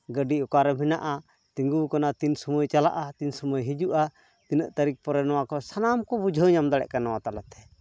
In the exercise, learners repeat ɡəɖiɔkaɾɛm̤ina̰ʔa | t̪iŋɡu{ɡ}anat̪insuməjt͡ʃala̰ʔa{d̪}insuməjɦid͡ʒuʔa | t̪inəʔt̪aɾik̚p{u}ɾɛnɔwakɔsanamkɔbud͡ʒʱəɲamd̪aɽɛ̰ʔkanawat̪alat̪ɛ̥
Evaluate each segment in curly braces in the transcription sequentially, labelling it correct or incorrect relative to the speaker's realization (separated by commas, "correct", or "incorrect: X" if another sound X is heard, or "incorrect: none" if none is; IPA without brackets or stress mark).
incorrect: k, incorrect: t̪, incorrect: ɔ